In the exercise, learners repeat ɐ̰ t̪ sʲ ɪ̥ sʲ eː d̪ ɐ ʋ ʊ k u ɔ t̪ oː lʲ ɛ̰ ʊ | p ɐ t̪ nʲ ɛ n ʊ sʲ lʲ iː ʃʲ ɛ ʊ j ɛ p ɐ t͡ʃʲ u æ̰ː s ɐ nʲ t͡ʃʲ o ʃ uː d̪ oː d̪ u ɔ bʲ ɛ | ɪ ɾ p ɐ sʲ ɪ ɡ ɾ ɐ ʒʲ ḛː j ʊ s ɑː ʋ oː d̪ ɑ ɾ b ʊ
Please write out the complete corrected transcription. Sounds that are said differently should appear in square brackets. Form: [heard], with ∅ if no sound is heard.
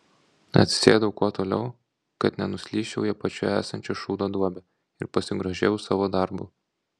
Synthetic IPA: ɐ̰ t̪ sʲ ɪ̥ sʲ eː d̪ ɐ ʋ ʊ k u ɔ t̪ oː lʲ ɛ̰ ʊ | [k] ɐ t̪ nʲ ɛ n ʊ sʲ lʲ iː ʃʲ ɛ ʊ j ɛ p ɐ t͡ʃʲ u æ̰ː s ɐ nʲ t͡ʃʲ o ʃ uː d̪ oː d̪ u ɔ bʲ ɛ | ɪ ɾ p ɐ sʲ ɪ ɡ ɾ ɐ ʒʲ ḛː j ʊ s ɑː ʋ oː d̪ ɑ ɾ b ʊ